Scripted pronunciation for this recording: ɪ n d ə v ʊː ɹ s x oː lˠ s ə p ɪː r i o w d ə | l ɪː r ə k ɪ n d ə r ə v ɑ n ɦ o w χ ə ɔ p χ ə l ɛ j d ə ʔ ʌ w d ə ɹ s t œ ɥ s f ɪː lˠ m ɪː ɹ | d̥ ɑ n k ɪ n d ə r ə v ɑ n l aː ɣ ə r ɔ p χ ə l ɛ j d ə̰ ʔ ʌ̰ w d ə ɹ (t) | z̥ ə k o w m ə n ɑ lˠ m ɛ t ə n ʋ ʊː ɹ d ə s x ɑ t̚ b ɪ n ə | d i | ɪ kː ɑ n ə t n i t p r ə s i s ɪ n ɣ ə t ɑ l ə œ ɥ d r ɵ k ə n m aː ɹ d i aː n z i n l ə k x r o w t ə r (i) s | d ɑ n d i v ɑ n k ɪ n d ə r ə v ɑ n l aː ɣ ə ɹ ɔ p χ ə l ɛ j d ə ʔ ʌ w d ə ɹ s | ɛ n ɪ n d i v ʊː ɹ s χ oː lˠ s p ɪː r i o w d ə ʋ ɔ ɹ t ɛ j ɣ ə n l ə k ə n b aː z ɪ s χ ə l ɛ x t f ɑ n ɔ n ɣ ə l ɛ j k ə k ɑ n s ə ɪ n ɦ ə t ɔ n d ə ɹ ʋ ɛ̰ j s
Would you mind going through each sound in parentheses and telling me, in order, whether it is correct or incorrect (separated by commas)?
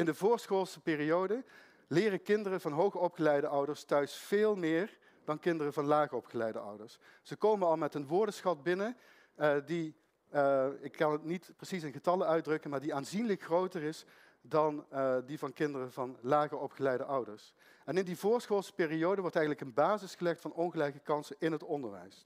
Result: incorrect, incorrect